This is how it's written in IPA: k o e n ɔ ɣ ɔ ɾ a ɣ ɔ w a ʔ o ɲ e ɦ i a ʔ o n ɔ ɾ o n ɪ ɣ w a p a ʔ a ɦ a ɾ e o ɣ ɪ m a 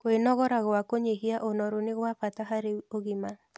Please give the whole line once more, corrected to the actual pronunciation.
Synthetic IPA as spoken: k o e n ɔ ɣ ɔ ɾ a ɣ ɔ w a k o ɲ e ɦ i a ʔ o n ɔ ɾ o n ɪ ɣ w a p a t a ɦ a ɾ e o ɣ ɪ m a